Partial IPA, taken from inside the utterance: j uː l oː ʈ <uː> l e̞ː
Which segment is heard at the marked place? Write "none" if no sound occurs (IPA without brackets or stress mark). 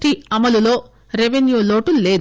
u